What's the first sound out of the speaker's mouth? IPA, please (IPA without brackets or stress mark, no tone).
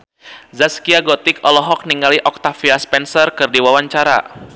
z